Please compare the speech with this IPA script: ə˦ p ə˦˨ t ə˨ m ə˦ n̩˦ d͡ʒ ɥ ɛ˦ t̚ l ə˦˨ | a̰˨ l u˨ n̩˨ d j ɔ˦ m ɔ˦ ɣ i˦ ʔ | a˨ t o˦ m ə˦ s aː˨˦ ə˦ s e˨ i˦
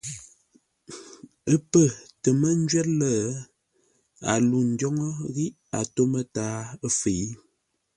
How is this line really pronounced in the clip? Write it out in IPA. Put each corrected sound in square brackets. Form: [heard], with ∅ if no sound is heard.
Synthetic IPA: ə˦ p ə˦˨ t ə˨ m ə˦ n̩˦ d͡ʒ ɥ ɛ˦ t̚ l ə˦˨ | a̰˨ l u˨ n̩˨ d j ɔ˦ [ŋ] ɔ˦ ɣ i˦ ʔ | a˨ t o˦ m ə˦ [t] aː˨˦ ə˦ [f] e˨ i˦

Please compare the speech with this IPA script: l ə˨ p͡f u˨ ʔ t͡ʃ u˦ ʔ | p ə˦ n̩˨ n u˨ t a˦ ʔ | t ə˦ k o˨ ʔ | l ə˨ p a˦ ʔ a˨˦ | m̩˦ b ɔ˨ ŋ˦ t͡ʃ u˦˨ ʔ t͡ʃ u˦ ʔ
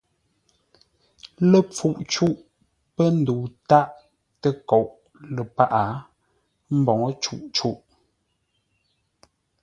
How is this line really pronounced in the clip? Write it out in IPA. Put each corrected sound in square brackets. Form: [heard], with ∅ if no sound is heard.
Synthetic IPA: l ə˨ p͡f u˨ ʔ t͡ʃ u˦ ʔ | p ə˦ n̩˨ [d] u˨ t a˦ ʔ | t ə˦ k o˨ ʔ | l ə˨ p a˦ ʔ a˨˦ | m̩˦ b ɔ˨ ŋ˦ t͡ʃ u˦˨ ʔ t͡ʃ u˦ ʔ

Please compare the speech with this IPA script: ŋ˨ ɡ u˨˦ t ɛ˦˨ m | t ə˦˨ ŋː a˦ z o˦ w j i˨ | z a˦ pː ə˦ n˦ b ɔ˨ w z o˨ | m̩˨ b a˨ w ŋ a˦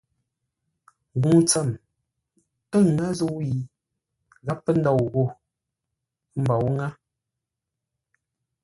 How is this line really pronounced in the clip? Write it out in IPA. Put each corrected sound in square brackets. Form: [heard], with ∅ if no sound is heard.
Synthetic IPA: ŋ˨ ɡ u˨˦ [t͡s] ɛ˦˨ m | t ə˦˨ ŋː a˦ z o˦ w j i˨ | [ɣ] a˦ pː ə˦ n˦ [d] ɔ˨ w [ɣ] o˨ | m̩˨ b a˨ w ŋ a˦

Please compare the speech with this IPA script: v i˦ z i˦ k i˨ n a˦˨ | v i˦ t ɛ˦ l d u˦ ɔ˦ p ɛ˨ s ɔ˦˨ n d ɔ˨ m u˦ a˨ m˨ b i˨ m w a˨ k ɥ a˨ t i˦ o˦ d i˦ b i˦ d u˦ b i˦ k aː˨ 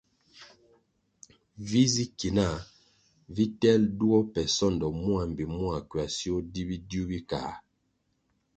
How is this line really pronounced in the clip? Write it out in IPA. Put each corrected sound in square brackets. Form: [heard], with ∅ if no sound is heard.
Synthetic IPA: v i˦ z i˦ k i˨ n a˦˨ | v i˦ t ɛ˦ l d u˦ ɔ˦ p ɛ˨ s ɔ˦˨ n d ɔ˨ m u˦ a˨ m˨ b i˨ m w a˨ k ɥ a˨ [s] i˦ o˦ d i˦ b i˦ d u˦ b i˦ k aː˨

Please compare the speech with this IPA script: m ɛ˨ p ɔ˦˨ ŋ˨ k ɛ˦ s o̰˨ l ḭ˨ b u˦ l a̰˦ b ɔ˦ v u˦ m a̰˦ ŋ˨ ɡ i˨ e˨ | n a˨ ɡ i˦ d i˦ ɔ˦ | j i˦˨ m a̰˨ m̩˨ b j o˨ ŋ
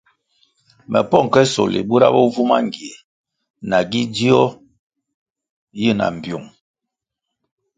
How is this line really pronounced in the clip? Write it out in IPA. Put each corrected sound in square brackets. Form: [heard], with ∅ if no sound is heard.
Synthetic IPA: m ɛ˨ p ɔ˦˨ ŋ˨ k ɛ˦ s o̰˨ l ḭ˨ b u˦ [ɾ] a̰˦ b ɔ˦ v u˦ m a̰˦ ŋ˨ ɡ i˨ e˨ | n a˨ ɡ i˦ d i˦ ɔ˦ | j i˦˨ [n] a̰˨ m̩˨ b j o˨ ŋ

